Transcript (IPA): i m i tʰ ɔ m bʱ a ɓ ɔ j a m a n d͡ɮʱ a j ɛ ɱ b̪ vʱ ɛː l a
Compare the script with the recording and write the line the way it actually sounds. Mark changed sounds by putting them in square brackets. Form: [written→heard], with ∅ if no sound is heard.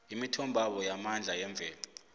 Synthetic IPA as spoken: i m i tʰ ɔ m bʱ a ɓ ɔ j a m a n d͡ɮʱ a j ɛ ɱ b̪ vʱ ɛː l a